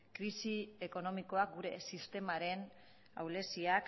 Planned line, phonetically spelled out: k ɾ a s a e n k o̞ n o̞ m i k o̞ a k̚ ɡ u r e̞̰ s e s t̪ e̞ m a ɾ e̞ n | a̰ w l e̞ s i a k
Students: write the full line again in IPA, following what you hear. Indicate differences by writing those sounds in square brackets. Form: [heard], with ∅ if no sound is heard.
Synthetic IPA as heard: k ɾ [i] s [i] e [∅] k o̞ n o̞ m i k o̞ a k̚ ɡ u [ɾ] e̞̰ s [i] s t̪ e̞ m a ɾ e̞ n | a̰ w l e̞ s i a k